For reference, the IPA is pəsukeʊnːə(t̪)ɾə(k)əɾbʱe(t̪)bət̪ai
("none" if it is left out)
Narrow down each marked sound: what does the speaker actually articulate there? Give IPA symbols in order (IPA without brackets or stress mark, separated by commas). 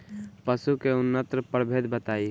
t̪, p, d̪